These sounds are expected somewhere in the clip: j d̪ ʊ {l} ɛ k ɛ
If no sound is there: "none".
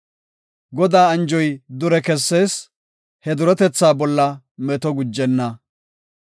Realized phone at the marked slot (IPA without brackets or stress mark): ɾ